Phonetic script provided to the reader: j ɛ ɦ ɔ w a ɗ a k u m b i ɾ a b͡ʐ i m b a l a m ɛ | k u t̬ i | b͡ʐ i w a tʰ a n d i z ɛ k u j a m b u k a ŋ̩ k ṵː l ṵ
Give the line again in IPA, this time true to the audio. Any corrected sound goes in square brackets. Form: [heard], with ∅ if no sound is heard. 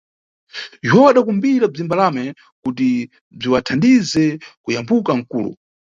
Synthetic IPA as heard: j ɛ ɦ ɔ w a ɗ a k u m b i ɾ a b͡ʐ i m b a l a m ɛ | k u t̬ i | b͡ʐ i w a tʰ a n d i z ɛ k u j a m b u k a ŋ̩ k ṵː l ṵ